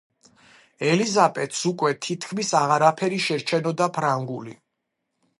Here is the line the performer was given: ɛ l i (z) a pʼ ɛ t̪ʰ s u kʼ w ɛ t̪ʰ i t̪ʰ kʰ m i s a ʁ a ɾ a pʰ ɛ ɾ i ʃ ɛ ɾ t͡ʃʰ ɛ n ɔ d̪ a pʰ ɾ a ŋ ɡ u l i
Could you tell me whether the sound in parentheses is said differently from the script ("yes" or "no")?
no